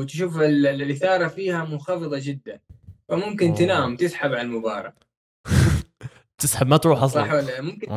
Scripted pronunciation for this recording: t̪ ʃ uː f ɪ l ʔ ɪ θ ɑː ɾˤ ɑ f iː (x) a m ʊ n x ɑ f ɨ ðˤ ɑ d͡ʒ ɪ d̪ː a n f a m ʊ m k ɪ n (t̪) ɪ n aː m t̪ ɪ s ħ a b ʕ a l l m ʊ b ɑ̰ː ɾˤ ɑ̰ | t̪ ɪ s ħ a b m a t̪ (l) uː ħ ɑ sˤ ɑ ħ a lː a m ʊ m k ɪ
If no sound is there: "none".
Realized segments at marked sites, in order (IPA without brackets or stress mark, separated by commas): h, t̪, ɾ